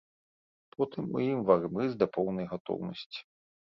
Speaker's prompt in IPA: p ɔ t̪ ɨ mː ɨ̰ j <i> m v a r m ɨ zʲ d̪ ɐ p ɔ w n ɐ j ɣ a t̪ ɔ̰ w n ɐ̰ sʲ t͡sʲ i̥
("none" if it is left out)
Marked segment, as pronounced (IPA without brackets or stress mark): i